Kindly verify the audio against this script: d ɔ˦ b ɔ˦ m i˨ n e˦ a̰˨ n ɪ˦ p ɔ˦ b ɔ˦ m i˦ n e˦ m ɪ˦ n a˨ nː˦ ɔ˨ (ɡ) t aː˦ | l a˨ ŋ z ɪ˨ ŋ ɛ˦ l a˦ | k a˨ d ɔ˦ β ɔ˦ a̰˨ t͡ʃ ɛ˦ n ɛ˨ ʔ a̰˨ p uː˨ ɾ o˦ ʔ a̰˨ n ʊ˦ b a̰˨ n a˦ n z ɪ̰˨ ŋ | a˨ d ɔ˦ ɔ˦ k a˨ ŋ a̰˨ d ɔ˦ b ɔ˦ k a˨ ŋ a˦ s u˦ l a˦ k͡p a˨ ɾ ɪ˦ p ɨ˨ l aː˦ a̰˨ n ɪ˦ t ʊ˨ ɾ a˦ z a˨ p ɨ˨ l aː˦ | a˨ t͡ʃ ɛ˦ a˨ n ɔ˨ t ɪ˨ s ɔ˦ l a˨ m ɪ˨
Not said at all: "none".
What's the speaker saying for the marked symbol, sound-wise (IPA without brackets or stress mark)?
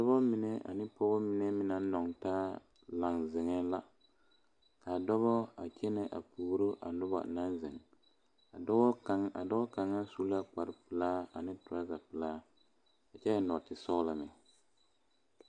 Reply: ŋ